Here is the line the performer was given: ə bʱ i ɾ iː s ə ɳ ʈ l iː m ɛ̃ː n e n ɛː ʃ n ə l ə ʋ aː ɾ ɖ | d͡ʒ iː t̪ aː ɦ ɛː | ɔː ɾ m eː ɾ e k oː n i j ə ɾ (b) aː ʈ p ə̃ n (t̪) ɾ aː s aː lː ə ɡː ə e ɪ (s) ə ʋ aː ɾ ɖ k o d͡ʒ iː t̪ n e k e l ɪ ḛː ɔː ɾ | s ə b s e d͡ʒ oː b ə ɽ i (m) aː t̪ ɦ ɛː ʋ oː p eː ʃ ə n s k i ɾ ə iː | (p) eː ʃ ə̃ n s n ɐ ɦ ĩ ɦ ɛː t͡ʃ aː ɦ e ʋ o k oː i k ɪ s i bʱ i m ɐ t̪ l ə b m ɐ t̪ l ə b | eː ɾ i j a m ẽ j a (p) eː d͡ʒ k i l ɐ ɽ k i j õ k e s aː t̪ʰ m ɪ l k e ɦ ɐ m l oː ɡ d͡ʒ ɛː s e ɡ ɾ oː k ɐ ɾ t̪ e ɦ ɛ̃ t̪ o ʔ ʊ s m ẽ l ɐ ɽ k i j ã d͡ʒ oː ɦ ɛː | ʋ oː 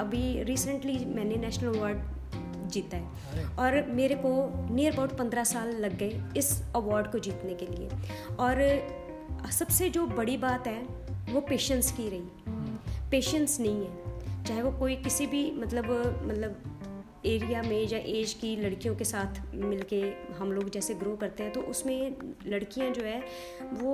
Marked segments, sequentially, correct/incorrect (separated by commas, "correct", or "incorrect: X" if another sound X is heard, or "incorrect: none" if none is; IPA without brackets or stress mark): correct, incorrect: d̪, correct, incorrect: b, correct, incorrect: ʔ